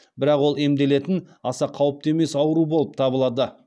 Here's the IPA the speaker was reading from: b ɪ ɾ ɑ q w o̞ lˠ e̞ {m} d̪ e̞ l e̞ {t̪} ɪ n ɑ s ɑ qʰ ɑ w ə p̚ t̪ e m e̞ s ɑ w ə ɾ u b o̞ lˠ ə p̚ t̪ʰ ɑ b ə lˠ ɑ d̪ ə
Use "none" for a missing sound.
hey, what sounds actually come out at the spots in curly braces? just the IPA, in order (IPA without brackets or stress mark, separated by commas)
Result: m, t̪